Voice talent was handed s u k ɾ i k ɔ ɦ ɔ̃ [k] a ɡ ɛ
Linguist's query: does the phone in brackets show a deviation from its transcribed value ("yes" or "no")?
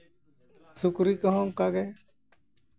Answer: no